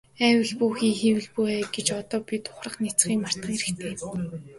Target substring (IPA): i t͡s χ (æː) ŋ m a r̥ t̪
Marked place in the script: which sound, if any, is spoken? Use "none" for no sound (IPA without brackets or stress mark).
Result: iː